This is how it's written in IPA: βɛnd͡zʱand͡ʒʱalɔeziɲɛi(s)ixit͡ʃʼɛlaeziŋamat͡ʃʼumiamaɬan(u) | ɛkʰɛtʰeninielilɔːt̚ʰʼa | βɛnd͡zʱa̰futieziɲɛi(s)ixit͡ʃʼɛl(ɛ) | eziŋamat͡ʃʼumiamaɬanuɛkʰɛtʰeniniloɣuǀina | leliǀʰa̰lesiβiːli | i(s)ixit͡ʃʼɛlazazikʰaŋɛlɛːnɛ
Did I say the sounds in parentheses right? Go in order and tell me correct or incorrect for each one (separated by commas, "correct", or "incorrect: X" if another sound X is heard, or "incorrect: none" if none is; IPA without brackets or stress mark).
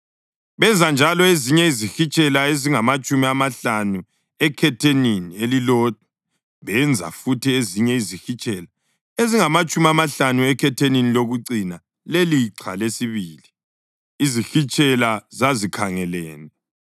incorrect: z, correct, incorrect: z, incorrect: a, incorrect: z